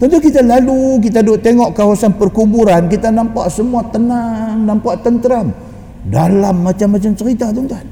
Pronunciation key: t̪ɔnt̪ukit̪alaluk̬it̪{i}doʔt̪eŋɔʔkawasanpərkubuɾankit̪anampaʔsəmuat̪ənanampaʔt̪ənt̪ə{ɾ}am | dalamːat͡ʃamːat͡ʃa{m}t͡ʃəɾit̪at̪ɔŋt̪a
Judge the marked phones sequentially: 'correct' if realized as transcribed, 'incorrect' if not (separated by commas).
incorrect, correct, correct